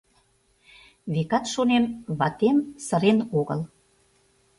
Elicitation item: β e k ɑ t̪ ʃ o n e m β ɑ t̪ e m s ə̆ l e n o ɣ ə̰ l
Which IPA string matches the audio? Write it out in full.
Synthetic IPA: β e k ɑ t̪ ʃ o n e m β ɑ t̪ e m s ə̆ ɾ e n o ɣ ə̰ l

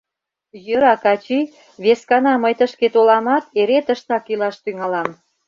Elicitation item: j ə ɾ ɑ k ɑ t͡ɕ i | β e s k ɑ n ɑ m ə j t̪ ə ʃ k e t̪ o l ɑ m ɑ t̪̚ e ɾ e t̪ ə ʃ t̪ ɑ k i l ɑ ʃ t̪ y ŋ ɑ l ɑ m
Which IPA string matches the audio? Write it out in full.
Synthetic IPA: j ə ɾ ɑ k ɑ t͡ɕ i | β e s k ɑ n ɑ m ə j t̪ ə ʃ k e t̪ o l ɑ m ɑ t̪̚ e ɾ e t̪ ə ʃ t̪ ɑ k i l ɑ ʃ t̪ y ŋ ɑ l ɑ m

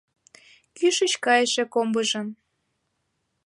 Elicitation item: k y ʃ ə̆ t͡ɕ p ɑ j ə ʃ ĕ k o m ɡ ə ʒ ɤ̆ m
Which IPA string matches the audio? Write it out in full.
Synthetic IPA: k y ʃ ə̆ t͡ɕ k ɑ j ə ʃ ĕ k o m b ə ʒ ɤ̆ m

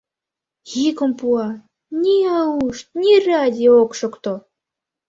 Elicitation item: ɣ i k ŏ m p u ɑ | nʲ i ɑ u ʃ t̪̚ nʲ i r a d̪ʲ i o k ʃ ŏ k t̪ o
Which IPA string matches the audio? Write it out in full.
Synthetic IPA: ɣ i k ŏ m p u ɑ | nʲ i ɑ u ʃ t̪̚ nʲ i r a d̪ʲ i o k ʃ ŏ k t̪ o

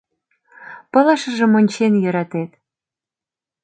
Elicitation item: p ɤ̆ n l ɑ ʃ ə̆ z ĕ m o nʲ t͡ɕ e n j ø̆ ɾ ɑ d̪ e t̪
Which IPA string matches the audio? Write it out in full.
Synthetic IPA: p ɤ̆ l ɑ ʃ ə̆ ʒ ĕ m o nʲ t͡ɕ e n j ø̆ ɾ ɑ t̪ e t̪

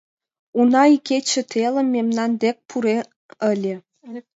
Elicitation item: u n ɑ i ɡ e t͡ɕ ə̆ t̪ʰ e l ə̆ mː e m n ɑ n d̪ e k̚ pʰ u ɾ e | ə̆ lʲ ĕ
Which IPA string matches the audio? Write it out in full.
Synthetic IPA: u n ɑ i k e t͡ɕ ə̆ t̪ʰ e l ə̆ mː e m n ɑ n d̪ e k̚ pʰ u ɾ e | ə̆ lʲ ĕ

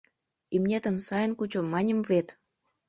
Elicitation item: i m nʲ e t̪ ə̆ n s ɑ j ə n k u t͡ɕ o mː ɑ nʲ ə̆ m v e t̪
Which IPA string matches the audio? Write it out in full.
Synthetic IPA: i m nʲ e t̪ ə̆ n s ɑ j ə n k u t͡ɕ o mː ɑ nʲ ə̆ m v e t̪

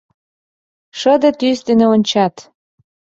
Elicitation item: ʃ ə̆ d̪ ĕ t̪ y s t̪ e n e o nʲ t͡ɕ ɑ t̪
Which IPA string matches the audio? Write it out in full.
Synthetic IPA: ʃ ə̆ d̪ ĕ t̪ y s t̪ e n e o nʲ t͡ɕ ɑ t̪

